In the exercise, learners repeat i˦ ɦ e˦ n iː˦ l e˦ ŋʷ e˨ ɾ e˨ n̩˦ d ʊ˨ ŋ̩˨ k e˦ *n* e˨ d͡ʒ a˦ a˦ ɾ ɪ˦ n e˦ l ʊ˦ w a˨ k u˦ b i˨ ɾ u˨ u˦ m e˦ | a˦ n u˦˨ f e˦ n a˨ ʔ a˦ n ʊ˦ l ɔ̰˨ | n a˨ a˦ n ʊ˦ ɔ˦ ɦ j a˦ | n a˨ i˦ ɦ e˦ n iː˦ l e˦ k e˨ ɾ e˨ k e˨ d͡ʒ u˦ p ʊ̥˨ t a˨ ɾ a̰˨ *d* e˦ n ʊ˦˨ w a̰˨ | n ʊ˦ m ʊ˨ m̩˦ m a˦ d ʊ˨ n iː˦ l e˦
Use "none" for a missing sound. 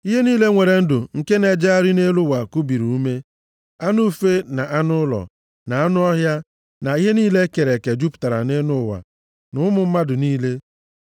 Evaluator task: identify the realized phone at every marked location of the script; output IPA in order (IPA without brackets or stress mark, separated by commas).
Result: n, n